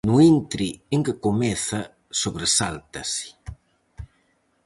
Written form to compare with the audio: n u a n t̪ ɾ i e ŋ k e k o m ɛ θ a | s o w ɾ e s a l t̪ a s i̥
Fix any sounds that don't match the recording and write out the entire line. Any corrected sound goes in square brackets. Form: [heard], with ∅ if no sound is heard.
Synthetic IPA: n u [i] n t̪ ɾ i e ŋ k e k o m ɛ θ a | s o [β] ɾ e s a l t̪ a s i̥